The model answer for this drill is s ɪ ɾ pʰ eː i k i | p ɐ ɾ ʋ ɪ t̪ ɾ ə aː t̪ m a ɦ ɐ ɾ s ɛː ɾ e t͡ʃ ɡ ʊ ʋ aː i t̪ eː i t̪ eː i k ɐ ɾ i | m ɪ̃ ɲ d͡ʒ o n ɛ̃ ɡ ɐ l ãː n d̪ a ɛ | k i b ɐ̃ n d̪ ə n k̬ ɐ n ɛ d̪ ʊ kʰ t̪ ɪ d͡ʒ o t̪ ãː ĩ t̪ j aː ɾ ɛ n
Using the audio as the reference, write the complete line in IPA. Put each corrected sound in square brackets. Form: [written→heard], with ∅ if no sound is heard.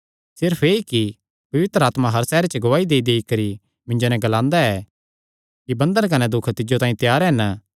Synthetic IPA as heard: s ɪ ɾ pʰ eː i k i | p ɐ [ɾ→∅] ʋ ɪ t̪ ɾ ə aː t̪ m a ɦ ɐ ɾ s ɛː ɾ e t͡ʃ ɡ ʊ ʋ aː i [t̪→d̪] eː i [t̪→d̪] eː i k ɐ ɾ i | m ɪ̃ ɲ d͡ʒ o n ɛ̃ ɡ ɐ l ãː n d̪ a ɛ | k i b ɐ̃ n d̪ ə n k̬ ɐ n ɛ d̪ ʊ kʰ t̪ ɪ d͡ʒ o t̪ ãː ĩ t̪ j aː ɾ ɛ n